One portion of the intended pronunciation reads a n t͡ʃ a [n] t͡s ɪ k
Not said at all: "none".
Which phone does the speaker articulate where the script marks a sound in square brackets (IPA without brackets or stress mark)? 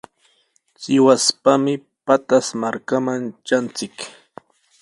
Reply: n